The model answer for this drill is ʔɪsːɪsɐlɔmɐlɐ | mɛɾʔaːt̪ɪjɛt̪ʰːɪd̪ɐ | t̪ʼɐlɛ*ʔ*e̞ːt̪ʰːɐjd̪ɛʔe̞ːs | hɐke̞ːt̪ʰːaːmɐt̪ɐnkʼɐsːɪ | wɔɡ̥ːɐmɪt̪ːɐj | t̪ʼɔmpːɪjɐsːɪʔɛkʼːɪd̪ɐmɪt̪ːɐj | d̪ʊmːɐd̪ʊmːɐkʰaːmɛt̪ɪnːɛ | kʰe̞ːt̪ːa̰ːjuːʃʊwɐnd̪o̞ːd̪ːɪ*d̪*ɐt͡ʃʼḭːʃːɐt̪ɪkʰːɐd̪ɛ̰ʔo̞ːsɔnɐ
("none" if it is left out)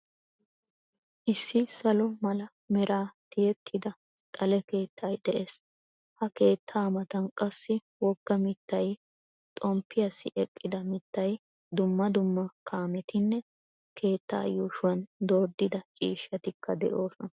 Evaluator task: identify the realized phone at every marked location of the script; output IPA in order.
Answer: k, d̪

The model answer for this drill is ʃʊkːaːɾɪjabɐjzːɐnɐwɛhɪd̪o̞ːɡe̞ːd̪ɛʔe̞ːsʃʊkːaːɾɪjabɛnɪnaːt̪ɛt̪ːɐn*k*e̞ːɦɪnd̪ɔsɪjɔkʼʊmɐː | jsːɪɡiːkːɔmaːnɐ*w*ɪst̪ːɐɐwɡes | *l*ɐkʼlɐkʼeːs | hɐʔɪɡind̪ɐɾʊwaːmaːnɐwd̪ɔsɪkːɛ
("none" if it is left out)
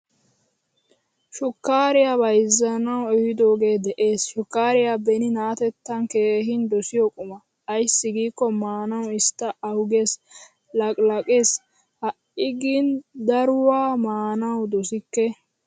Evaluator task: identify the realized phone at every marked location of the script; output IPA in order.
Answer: k, w, l

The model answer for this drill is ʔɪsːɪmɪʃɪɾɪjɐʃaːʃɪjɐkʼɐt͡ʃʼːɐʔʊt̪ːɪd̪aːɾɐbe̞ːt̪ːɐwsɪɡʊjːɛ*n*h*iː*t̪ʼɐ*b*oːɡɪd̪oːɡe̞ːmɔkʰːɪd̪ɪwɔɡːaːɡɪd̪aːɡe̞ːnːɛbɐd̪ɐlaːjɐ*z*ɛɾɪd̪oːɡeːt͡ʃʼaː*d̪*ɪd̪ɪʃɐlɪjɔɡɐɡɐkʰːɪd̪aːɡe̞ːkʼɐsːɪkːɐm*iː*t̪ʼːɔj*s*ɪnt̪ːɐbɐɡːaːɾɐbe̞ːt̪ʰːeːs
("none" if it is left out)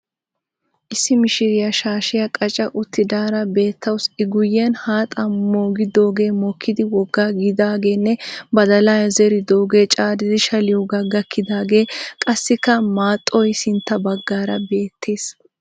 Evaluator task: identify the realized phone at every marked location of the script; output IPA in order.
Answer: n, aː, m, z, d̪, aː, s

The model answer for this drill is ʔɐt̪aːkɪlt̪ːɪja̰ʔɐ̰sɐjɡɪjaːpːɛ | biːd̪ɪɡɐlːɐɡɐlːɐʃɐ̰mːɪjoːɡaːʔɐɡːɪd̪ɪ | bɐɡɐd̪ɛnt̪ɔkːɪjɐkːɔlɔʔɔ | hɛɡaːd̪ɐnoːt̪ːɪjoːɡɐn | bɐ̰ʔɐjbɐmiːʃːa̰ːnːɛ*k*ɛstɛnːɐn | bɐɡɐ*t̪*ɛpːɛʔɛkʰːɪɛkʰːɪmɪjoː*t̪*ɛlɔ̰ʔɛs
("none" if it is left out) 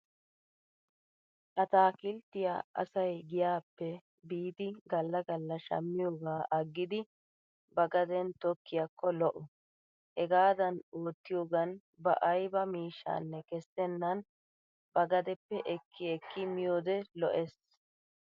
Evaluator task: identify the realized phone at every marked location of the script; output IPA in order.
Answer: k, d̪, d̪

